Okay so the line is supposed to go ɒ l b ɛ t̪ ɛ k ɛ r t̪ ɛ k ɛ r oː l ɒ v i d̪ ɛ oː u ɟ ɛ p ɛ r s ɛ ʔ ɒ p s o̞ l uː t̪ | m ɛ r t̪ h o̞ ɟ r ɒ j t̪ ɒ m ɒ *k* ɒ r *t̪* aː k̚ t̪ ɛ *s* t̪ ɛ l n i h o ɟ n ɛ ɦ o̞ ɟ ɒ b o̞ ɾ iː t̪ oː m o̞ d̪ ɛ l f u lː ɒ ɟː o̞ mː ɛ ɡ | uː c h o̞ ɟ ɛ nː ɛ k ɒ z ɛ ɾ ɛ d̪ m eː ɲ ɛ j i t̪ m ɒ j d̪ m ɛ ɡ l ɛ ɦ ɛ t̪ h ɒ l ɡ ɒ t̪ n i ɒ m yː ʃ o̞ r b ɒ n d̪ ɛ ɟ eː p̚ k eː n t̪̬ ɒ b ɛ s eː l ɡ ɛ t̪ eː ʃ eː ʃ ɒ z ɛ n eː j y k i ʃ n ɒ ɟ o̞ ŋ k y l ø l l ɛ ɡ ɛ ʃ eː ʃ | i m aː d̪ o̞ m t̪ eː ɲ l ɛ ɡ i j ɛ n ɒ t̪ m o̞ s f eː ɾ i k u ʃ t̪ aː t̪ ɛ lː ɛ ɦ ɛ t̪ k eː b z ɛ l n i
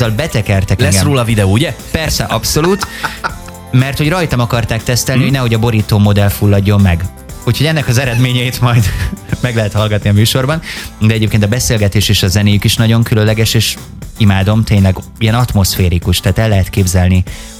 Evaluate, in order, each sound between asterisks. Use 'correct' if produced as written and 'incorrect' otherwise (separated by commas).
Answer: correct, correct, correct